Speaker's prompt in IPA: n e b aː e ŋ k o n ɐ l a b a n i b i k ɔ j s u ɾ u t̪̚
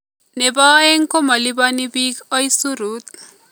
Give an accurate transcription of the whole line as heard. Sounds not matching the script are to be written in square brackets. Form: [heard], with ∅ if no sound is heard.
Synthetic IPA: n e b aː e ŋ k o [m] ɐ l [i] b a n i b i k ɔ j s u ɾ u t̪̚